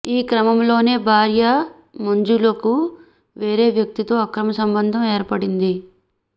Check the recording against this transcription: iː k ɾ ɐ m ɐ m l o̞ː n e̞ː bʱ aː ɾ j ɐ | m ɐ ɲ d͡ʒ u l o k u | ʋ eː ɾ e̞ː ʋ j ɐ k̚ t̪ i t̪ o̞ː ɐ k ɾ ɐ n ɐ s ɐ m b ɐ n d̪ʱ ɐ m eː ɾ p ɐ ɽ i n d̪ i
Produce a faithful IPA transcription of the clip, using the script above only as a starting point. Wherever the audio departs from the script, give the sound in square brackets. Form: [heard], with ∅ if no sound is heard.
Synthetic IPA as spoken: iː k ɾ ɐ m ɐ m l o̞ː n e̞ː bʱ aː ɾ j ɐ | m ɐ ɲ d͡ʒ u l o k u | ʋ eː ɾ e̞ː ʋ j ɐ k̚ t̪ i t̪ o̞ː ɐ k ɾ ɐ [m] ɐ s ɐ m b ɐ n d̪ʱ ɐ m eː ɾ p ɐ ɽ i n d̪ i